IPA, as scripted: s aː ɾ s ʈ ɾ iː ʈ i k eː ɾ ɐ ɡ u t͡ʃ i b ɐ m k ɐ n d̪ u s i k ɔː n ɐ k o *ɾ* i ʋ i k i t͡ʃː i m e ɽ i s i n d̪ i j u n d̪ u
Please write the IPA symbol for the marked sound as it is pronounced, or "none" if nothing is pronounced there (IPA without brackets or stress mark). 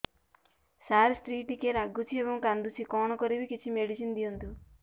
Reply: ɾ